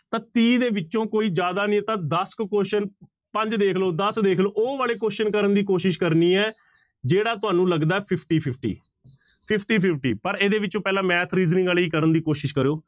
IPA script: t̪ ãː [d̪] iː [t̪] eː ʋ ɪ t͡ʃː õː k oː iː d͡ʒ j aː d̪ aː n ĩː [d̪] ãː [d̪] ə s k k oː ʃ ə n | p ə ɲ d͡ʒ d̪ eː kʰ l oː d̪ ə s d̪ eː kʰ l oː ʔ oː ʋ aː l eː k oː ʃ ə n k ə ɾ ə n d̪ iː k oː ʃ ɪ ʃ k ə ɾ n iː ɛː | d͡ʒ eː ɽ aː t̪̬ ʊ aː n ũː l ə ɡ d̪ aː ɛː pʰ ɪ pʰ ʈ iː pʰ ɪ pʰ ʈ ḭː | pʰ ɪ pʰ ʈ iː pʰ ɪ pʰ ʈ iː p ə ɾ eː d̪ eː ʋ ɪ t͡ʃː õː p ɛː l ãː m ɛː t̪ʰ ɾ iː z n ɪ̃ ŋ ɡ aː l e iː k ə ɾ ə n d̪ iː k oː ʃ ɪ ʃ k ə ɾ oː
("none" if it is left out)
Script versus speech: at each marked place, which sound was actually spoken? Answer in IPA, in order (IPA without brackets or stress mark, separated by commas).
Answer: t̪, d̪, t̪, d̪